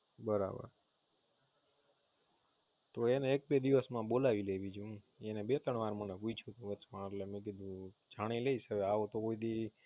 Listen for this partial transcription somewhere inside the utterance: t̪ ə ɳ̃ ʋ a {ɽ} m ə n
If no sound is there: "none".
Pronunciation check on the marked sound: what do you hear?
ɾ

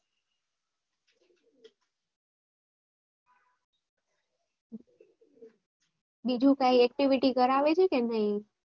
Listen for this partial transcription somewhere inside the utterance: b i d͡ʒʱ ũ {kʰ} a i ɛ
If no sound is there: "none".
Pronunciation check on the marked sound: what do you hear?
k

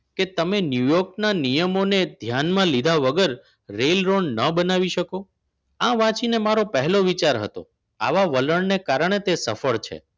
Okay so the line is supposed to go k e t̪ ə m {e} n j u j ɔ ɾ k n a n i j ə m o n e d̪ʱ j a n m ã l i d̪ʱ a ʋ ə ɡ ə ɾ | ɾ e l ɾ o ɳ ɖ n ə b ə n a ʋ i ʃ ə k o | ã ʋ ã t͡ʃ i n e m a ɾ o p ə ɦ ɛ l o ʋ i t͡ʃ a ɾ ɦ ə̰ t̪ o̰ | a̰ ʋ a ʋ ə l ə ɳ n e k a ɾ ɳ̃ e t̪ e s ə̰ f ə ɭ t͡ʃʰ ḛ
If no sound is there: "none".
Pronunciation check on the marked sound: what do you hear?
e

